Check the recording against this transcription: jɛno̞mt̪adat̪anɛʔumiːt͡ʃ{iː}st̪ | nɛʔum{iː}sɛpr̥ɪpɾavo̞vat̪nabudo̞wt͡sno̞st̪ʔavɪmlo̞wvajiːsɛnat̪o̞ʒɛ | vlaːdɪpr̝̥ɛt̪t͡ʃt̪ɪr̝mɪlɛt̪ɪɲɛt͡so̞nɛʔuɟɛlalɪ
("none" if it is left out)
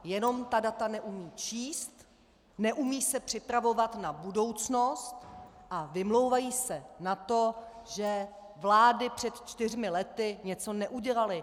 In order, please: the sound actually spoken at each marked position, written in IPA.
iː, iː

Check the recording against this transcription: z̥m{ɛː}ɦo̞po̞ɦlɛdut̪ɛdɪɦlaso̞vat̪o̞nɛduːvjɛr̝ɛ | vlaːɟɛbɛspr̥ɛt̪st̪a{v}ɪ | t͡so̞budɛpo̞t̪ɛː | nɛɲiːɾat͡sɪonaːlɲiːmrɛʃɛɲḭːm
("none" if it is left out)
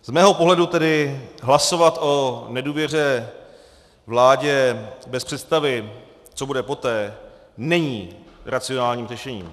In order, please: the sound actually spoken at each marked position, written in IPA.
ɛː, v

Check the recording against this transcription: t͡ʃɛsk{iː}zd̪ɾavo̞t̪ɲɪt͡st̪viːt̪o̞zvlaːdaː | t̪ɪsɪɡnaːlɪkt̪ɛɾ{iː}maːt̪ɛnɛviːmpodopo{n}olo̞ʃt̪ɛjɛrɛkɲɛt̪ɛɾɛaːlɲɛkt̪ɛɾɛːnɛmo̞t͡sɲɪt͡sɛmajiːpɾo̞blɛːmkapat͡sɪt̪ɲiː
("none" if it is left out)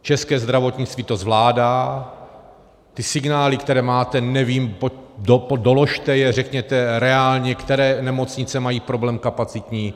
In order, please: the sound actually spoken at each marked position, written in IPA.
ɛː, ɛː, d

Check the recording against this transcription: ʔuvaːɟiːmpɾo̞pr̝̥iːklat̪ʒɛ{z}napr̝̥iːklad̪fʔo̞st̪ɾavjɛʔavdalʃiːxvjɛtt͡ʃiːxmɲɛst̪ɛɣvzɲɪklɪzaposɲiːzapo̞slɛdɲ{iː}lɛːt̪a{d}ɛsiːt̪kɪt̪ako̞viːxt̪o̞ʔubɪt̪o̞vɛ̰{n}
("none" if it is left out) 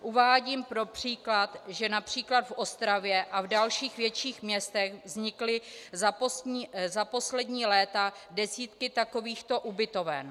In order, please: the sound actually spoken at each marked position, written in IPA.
none, iː, d, n

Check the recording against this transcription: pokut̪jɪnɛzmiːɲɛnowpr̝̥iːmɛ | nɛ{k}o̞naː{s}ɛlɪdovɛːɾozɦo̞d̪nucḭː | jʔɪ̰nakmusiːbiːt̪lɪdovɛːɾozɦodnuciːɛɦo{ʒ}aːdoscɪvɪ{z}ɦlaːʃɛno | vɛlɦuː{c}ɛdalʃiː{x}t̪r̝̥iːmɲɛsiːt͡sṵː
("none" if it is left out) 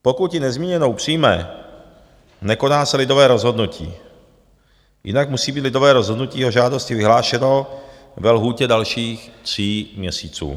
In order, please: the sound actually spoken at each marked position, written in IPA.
k, s, ʒ, none, c, x

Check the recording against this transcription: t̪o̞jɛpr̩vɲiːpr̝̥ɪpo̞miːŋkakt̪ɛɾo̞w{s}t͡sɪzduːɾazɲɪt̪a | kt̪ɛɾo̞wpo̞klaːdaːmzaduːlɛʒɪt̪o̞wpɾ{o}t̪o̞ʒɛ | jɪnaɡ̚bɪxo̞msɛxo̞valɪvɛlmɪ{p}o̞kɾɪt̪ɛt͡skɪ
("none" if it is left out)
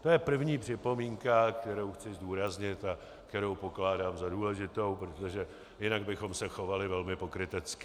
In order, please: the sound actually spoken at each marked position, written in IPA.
x, o, p

